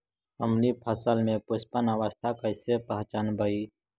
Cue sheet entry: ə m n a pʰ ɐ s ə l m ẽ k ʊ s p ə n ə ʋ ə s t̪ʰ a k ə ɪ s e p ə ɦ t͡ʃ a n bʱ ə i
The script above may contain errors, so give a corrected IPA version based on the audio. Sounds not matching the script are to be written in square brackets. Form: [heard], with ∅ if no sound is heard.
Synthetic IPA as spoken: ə m n [i] pʰ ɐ s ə l m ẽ [p] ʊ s p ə n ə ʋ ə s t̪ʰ a k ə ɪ s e p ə ɦ t͡ʃ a n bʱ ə i